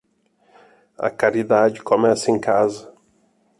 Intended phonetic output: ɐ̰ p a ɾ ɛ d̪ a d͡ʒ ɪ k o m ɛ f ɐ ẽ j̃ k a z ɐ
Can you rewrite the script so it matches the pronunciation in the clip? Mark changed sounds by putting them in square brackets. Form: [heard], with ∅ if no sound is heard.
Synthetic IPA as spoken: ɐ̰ [k] a ɾ [i] d̪ a d͡ʒ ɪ k o m ɛ [s] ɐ ẽ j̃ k a z ɐ